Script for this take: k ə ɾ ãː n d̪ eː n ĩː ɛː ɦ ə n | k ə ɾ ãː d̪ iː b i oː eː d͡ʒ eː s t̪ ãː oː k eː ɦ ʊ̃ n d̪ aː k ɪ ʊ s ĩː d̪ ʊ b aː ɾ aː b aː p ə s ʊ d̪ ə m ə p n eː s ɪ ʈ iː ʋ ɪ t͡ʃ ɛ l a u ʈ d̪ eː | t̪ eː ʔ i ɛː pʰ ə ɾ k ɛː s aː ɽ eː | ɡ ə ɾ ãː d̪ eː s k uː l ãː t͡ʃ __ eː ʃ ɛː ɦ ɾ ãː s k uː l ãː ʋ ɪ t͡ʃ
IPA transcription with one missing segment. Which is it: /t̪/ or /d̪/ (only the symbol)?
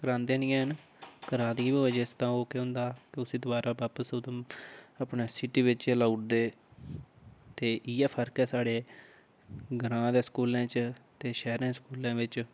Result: t̪